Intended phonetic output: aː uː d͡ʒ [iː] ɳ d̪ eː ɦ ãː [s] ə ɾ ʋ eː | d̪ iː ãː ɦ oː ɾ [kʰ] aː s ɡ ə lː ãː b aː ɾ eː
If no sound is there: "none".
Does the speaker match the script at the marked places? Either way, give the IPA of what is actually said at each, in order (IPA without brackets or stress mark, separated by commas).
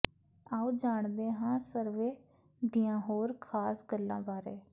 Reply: aː, s, kʰ